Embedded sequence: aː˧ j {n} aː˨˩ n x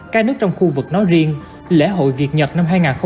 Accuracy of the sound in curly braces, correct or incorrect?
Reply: incorrect